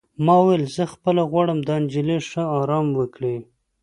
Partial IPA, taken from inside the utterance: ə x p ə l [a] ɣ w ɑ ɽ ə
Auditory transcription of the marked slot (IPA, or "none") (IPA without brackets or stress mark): a